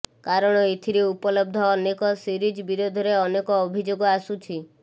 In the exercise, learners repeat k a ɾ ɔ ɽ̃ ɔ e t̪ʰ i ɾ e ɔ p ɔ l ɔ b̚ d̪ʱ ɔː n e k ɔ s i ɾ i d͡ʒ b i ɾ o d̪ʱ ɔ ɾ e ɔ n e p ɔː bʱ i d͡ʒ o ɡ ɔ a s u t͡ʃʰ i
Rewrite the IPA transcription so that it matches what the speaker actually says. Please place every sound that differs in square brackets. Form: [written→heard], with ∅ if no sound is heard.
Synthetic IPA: k a ɾ ɔ ɽ̃ ɔ e t̪ʰ i ɾ e [ɔ→u] p ɔ l ɔ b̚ d̪ʱ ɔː n e k ɔ s i ɾ i d͡ʒ b i ɾ o d̪ʱ ɔ ɾ e ɔ n e [p→k] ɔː bʱ i d͡ʒ o ɡ ɔ a s u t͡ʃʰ i